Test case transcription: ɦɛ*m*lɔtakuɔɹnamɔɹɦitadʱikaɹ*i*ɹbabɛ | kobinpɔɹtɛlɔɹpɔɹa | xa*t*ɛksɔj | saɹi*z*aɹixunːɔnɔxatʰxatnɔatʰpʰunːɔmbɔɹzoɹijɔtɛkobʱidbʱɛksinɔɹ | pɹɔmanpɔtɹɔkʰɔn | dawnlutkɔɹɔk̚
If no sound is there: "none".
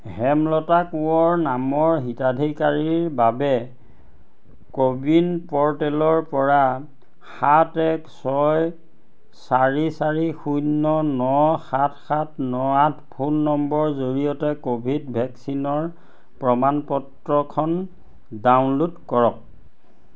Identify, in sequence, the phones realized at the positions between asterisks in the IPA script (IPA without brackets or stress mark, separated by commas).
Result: m, i, t, s